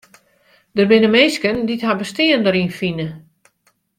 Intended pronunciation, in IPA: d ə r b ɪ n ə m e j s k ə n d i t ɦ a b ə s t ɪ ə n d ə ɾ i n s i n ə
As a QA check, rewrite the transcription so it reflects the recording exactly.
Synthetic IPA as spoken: d ə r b ɪ n ə m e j s k ə n d i t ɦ a b ə s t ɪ ə n d ə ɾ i n f i n ə